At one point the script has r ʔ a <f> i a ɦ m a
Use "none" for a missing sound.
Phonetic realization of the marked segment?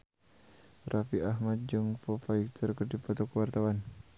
f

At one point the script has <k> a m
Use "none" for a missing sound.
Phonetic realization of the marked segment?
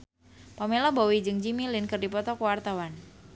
p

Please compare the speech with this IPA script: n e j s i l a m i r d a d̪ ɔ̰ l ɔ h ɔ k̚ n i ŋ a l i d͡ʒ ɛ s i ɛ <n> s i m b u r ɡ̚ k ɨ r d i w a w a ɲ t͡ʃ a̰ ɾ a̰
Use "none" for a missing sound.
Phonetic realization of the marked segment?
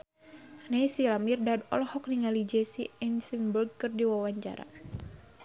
n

